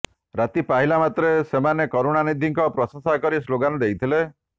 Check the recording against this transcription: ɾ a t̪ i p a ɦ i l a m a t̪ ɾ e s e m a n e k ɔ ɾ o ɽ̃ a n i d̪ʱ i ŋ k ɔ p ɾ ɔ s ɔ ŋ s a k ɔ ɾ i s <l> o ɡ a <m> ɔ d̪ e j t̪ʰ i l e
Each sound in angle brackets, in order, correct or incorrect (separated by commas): correct, incorrect